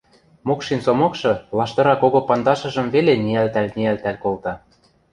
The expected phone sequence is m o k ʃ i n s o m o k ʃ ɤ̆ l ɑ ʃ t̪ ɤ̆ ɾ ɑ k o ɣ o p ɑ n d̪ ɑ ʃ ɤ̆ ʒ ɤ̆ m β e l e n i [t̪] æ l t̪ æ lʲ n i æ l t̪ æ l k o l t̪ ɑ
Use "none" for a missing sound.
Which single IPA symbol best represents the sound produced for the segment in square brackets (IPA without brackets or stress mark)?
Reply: none